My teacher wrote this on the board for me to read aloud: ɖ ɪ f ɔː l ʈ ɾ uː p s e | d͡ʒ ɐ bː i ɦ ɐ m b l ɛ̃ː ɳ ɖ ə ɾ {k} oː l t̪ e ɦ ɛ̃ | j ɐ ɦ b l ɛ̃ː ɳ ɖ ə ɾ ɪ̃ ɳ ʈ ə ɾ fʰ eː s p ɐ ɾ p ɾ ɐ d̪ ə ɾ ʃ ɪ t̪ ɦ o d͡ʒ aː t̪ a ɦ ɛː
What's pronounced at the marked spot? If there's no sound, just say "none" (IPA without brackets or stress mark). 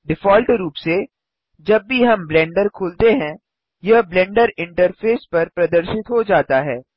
kʰ